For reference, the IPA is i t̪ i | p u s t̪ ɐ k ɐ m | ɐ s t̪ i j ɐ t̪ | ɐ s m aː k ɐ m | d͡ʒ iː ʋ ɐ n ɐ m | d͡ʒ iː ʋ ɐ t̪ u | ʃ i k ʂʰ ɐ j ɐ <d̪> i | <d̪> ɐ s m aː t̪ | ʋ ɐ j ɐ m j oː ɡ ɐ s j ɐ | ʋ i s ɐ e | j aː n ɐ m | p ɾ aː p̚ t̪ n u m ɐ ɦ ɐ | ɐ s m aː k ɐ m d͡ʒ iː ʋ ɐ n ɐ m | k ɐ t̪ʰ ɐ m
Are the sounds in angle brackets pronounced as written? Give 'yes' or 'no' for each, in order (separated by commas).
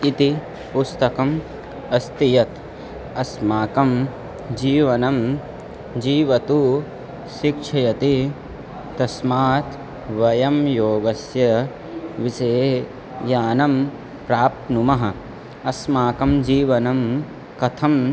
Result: no, no